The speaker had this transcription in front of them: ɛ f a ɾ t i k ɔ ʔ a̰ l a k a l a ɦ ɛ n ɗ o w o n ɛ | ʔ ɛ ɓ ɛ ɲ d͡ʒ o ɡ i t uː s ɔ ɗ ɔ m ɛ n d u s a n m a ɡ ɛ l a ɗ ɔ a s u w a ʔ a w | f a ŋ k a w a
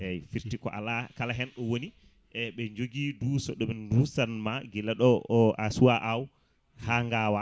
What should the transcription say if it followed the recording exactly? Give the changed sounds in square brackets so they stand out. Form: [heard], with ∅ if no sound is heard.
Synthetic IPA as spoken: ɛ f [i] ɾ t i k ɔ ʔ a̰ l a k a l a ɦ ɛ n ɗ [ɔ] w o n [i] | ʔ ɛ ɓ ɛ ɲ d͡ʒ o ɡ i [d] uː s ɔ ɗ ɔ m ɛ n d u s a n m a ɡ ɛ l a ɗ ɔ a s u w a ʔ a w | [h] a ŋ [ɡ] a w a